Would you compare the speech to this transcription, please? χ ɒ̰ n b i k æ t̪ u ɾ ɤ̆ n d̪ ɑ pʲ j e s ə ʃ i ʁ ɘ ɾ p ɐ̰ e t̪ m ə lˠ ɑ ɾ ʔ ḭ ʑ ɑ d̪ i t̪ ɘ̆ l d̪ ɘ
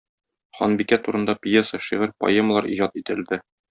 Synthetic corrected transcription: χ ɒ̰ n b i k æ t̪ u ɾ ɤ̆ n d̪ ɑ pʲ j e s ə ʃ i ʁ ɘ ɾ p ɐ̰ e m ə lˠ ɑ ɾ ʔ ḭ ʑ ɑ t̪ i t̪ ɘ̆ l d̪ ɘ